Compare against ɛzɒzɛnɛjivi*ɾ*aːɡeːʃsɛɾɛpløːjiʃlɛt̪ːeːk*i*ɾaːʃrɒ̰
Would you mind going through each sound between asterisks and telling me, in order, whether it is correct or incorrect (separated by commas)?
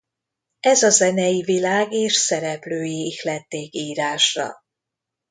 incorrect, incorrect